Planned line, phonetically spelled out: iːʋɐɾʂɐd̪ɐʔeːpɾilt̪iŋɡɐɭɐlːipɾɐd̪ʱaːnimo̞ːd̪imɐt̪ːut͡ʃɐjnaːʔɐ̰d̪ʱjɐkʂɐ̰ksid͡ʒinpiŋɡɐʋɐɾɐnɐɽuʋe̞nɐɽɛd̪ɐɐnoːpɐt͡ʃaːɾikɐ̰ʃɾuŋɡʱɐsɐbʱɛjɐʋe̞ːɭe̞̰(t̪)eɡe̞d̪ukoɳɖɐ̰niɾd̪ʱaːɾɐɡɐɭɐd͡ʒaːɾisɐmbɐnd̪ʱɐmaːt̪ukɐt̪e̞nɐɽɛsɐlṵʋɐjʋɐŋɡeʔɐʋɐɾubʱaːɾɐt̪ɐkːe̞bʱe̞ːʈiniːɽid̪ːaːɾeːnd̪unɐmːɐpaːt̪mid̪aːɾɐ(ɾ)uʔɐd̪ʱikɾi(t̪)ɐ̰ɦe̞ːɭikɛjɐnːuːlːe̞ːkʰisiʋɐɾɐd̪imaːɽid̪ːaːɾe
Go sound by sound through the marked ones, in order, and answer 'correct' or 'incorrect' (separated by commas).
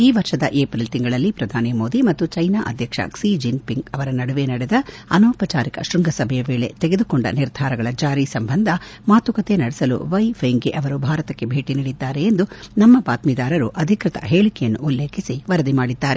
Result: correct, correct, correct